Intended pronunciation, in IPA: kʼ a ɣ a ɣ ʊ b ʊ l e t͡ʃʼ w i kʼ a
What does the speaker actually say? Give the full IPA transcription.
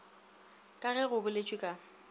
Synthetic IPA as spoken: kʼ a ɣ ɛ ɣ ʊ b ʊ l e t͡ʃʼ w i kʼ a